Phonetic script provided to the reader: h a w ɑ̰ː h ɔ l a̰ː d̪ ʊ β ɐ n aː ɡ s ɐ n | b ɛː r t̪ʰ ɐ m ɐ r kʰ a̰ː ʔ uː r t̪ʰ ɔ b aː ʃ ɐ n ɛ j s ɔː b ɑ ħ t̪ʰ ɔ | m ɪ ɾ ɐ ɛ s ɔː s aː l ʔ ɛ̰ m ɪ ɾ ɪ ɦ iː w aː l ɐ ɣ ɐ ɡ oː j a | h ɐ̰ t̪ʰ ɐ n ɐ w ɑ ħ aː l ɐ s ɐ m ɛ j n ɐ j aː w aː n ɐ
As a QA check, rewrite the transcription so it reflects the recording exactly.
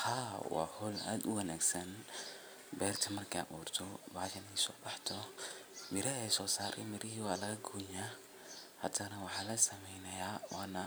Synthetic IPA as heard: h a w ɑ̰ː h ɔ l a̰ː d̪ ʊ w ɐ n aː ɡ s ɐ n | b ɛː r t̪ʰ ɐ m ɐ r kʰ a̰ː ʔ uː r t̪ʰ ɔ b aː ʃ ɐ n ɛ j s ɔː b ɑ ħ t̪ʰ ɔ | m ɪ ɾ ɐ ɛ s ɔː s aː ɾ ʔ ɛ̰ m ɪ ɾ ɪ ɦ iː w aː l ɐ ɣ ɐ ɡ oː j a | h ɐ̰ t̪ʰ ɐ n ɐ w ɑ ħ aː l ɐ s ɐ m ɛ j n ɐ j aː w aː n ɐ